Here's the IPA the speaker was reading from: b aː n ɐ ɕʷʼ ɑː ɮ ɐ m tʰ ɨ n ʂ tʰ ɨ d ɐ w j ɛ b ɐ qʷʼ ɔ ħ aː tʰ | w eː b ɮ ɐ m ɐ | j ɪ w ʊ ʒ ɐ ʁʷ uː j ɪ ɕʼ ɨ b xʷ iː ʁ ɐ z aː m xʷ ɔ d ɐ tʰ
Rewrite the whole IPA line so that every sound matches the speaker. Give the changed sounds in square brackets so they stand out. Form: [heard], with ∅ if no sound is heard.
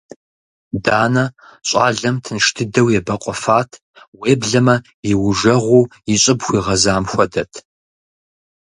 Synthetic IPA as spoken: [d] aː n ɐ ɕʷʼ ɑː ɮ ɐ m tʰ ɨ n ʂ tʰ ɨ d ɐ w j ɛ b ɐ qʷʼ ɔ [f] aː tʰ | w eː b ɮ ɐ m ɐ | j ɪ w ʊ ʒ ɐ ʁʷ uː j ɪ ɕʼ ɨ b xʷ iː ʁ ɐ z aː m xʷ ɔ d ɐ tʰ